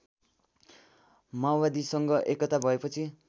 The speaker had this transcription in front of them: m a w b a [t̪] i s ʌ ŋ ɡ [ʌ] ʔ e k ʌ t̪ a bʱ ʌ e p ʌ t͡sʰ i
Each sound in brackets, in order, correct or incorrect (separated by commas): incorrect, correct